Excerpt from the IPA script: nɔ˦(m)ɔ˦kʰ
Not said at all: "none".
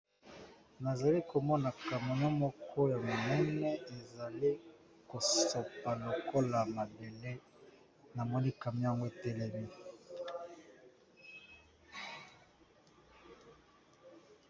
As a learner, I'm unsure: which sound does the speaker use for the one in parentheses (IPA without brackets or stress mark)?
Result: m